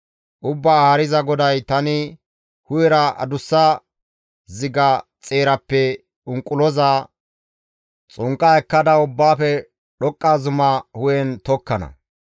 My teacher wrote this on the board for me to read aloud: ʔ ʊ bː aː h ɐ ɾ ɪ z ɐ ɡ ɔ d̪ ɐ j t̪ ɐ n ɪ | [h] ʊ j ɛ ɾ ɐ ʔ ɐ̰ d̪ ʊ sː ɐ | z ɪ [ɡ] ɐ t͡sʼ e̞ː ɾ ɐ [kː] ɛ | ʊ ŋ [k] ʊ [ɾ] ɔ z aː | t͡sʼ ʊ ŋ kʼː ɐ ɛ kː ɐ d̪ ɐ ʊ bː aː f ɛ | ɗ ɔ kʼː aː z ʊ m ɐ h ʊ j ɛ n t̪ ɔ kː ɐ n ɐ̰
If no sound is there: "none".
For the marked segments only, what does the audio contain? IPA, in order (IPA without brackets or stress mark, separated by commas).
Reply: h, ɡ, pː, kʼ, l